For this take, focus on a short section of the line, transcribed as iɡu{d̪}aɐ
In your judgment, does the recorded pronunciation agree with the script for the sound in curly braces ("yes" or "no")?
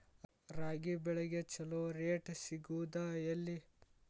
yes